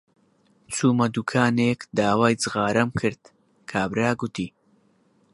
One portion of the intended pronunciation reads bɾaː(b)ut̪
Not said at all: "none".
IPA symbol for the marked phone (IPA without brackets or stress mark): ɡ